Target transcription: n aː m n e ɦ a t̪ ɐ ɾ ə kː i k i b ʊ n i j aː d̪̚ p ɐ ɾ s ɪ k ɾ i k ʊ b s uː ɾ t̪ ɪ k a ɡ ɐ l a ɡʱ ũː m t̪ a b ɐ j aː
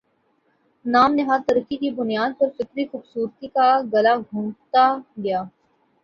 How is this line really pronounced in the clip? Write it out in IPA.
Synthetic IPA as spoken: n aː m n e ɦ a t̪ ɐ ɾ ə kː i k i b ʊ n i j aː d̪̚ p ɐ ɾ f ɪ k ɾ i x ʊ b s uː ɾ t̪ i k a ɡ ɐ l a ɡʱ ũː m t̪ a ɡ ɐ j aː